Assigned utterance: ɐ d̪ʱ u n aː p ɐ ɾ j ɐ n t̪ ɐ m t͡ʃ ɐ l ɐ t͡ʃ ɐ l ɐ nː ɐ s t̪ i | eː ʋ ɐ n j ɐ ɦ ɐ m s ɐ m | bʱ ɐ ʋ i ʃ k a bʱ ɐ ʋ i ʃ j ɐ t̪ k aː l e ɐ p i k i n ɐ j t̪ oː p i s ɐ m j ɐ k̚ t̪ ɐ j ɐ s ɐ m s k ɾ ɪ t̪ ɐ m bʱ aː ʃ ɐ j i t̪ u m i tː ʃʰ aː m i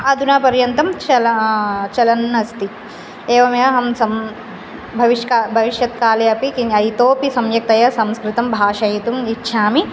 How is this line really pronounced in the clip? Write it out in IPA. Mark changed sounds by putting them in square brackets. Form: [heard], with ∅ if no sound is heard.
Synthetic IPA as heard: ɐ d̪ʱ u n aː p ɐ ɾ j ɐ n t̪ ɐ m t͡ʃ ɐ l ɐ t͡ʃ ɐ l ɐ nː ɐ s t̪ i | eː ʋ ɐ [m] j ɐ ɦ ɐ m s ɐ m | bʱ ɐ ʋ i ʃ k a bʱ ɐ ʋ i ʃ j ɐ t̪ k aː l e ɐ p i k i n ɐ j t̪ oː p i s ɐ m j ɐ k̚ t̪ ɐ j ɐ s ɐ m s k ɾ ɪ t̪ ɐ m bʱ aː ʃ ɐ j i t̪ u m i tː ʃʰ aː m i